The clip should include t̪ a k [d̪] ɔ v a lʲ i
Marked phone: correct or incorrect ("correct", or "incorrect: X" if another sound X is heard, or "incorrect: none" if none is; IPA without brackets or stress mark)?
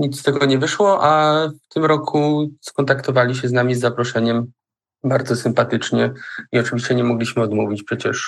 incorrect: t̪